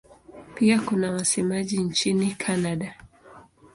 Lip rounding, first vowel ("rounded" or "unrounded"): unrounded